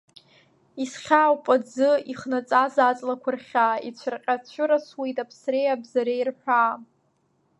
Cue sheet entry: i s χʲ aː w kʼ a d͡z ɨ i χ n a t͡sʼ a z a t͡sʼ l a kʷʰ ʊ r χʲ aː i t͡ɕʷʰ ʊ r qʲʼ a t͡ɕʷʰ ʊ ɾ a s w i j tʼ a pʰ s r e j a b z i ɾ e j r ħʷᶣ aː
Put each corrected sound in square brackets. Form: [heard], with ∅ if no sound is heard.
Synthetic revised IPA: i s χʲ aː w [pʼ] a d͡z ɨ i χ n a t͡sʼ a z a t͡sʼ l a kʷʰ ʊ r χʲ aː i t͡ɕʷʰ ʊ r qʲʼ a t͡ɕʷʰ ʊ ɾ a s w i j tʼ a pʰ s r e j a b z [a] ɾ e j r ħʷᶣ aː